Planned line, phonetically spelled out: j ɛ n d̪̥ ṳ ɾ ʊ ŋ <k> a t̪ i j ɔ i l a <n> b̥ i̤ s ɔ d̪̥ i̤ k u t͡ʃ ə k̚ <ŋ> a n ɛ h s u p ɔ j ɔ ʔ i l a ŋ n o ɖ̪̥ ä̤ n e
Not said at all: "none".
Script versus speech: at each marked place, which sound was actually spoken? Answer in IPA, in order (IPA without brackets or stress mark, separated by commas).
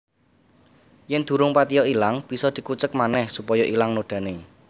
p, ŋ, m